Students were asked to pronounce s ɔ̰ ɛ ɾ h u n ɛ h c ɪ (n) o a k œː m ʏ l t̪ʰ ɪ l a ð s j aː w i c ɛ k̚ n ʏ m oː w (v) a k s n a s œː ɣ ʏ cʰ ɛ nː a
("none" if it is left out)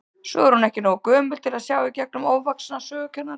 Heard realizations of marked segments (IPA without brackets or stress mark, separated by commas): n, v